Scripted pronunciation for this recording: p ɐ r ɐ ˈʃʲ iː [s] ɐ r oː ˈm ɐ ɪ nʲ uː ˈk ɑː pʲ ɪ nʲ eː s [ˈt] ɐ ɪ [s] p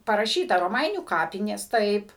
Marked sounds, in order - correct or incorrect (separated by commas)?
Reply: incorrect, correct, incorrect